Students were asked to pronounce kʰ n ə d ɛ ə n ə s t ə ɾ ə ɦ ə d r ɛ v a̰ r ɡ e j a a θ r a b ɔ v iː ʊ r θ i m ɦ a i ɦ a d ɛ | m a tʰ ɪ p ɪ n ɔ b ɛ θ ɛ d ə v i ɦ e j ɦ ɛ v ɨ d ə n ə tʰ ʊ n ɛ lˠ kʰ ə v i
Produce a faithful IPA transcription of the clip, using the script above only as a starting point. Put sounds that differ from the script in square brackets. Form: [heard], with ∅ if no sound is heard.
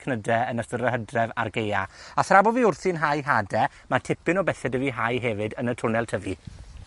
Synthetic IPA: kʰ n ə d ɛ ə n ə s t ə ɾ ə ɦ ə d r ɛ v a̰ r ɡ e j a a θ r a b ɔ v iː ʊ r θ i [n] ɦ a [j] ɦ a d ɛ | m a tʰ ɪ p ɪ n ɔ b ɛ θ ɛ d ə v i ɦ [a] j ɦ ɛ v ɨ d ə n ə tʰ ʊ n ɛ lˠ [tʰ] ə v i